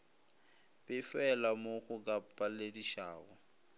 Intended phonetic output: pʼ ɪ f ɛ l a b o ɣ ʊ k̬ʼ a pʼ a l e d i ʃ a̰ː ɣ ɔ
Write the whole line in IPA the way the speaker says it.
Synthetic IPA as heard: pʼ ɪ f ɛ l a m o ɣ ʊ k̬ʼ a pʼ a l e d i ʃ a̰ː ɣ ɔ